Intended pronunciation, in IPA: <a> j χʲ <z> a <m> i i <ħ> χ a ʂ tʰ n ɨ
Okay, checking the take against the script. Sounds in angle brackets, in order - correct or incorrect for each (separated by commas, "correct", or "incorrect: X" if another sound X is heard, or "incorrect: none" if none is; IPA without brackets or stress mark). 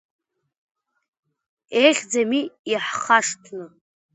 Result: incorrect: e, incorrect: d͡z, correct, correct